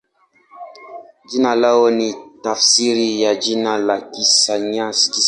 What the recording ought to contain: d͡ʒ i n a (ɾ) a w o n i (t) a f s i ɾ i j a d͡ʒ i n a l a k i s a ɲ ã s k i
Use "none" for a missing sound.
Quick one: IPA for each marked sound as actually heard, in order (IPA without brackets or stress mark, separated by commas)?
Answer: l, t